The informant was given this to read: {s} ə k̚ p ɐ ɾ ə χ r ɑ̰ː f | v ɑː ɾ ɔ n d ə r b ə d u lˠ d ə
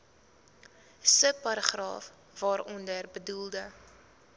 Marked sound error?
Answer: no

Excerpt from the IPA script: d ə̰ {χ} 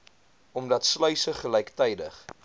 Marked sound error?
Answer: no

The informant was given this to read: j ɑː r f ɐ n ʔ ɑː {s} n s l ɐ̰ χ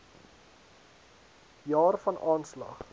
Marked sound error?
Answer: yes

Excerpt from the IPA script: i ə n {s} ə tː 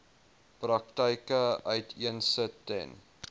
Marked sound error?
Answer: no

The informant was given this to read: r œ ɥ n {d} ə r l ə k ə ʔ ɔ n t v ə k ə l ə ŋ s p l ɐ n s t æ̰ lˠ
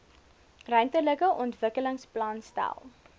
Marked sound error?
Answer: yes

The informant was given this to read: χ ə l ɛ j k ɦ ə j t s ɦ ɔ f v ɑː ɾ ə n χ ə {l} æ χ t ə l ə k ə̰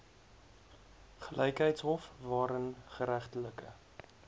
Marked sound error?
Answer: yes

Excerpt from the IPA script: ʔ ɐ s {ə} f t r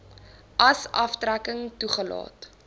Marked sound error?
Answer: yes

